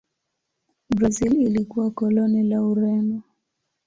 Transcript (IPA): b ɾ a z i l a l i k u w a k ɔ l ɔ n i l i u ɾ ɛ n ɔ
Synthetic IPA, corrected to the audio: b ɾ a z i l i l i k u w a k ɔ l ɔ n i l a u ɾ ɛ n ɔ